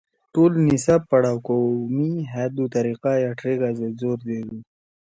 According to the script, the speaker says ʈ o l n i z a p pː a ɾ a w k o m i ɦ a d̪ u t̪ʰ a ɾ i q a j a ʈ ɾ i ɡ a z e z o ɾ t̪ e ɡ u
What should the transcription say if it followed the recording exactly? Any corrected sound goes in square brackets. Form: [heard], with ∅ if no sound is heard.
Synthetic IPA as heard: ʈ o l n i [s] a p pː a [ɽ] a w k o m i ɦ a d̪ u [t̪] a ɾ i q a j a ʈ ɾ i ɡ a z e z o ɾ [d̪] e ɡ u